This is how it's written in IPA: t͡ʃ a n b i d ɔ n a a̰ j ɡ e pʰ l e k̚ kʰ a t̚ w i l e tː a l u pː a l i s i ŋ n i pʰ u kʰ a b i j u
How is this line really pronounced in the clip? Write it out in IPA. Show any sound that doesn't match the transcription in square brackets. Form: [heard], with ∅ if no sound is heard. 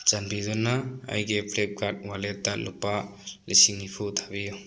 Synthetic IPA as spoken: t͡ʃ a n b i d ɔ n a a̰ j ɡ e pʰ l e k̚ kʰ a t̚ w [a] l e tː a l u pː a l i s i ŋ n i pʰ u [tʰ] a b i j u